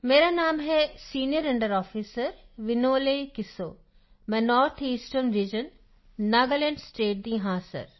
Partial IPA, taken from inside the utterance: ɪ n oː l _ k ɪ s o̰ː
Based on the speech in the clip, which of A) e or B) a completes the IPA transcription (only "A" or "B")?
A